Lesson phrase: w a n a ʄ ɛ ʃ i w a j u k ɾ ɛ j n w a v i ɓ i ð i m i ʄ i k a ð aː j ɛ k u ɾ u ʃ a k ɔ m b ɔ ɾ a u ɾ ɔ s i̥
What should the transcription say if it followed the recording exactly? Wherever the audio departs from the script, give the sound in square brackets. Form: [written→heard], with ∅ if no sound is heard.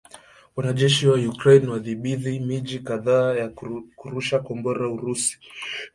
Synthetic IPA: w a n a ʄ ɛ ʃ i w a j u k ɾ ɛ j n w a [v→ð] i ɓ i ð i m i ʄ i k a ð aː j [ɛ→a] k u ɾ u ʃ a k ɔ m b ɔ ɾ a u ɾ [ɔ→u] s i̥